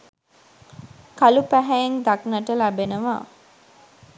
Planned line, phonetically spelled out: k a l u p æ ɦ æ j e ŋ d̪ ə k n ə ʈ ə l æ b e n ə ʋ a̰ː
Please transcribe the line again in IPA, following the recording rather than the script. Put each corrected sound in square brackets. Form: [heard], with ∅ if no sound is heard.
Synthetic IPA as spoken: k a l u p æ ɦ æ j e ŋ d̪ [a] k n ə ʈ ə l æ b e n ə ʋ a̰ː